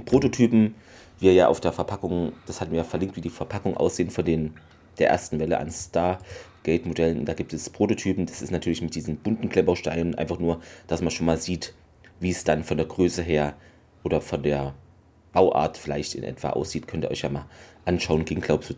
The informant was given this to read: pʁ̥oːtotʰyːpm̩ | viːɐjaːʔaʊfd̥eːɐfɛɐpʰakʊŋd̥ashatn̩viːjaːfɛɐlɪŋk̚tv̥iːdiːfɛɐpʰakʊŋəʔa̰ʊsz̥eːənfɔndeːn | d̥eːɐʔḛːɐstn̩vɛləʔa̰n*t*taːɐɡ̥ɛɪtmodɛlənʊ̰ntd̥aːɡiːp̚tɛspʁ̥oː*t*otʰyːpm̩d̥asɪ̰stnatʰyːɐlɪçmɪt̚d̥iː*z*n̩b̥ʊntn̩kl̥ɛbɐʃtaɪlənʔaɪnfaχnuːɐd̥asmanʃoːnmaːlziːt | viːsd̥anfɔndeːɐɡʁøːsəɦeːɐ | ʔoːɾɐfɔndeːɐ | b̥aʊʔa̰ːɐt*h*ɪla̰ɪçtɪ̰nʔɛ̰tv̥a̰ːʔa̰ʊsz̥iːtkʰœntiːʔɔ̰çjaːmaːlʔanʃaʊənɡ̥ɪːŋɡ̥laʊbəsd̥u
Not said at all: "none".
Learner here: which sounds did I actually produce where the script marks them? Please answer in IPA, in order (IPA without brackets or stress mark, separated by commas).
s, t, z, f